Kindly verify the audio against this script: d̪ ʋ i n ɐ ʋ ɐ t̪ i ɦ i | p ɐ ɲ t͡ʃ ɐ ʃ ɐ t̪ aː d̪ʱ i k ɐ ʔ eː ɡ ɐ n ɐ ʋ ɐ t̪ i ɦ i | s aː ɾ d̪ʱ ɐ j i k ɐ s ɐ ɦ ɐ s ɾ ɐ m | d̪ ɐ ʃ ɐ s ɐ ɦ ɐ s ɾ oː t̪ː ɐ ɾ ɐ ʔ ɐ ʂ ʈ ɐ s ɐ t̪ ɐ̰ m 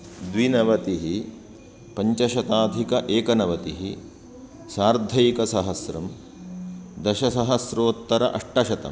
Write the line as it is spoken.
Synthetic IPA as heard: d̪ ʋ i n ɐ ʋ ɐ t̪ i ɦ i | p ɐ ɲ t͡ʃ ɐ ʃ ɐ t̪ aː d̪ʱ i k ɐ ʔ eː k ɐ n ɐ ʋ ɐ t̪ i ɦ i | s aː ɾ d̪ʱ ɐ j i k ɐ s ɐ ɦ ɐ s ɾ ɐ m | d̪ ɐ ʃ ɐ s ɐ ɦ ɐ s ɾ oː t̪ː ɐ ɾ ɐ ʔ ɐ ʂ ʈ ɐ ʃ ɐ t̪ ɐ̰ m